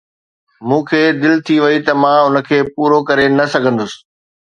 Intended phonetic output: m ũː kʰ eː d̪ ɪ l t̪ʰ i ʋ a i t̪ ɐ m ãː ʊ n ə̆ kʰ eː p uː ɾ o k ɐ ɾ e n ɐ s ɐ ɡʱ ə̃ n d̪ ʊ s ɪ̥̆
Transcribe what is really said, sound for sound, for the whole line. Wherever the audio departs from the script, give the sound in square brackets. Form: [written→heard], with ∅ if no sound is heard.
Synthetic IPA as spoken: m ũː kʰ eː d̪ ɪ l t̪ʰ i ʋ [a→ɐ] i t̪ ɐ m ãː ʊ n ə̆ kʰ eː p uː ɾ o k ɐ ɾ e n ɐ s ɐ ɡʱ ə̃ n d̪ ʊ s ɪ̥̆

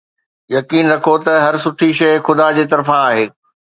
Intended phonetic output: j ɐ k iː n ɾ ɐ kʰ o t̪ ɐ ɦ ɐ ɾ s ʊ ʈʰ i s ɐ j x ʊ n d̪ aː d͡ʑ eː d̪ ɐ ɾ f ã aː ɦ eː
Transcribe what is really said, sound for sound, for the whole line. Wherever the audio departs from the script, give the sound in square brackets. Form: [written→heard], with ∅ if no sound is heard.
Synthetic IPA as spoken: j ɐ k iː n ɾ ɐ kʰ o t̪ ɐ ɦ ɐ ɾ s ʊ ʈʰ i [s→ʃ] ɐ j x ʊ [n→∅] d̪ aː d͡ʑ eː [d̪→t̪] ɐ ɾ f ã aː ɦ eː

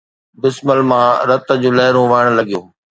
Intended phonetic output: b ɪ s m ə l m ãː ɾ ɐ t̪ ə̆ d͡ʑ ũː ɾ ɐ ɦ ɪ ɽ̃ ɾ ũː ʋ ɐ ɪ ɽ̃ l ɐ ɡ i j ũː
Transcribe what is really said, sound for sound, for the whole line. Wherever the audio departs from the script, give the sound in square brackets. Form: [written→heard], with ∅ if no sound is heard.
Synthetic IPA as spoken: b ɪ s m ə l m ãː ɾ ɐ t̪ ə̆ d͡ʑ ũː [ɾ→l] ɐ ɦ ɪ [ɽ̃→∅] ɾ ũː ʋ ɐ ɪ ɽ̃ l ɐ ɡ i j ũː

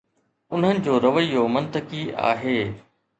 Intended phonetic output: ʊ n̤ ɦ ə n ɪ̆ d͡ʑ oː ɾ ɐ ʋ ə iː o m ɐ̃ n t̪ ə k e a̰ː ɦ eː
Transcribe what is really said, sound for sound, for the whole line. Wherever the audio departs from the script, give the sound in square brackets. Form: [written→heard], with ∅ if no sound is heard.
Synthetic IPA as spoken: ʊ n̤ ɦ ə n ɪ̆ d͡ʑ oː ɾ ɐ ʋ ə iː o m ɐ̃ n t̪ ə k [e→i] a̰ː ɦ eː

